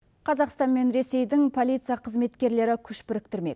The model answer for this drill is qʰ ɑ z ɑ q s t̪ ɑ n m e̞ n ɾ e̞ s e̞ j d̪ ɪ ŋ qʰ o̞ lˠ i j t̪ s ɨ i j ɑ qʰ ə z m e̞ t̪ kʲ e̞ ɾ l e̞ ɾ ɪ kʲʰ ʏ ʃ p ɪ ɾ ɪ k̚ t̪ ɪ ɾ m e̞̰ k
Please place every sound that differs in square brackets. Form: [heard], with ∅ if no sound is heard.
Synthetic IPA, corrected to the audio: qʰ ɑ z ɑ q s t̪ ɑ n m e̞ n ɾ e̞ s e̞ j d̪ ɪ ŋ [pʰ] o̞ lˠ i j t̪ s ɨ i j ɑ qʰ ə z m e̞ t̪ kʲ e̞ ɾ l e̞ ɾ ɪ kʲʰ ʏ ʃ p ɪ ɾ ɪ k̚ t̪ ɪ ɾ m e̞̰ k